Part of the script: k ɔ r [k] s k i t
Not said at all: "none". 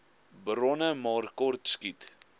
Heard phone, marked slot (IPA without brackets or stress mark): t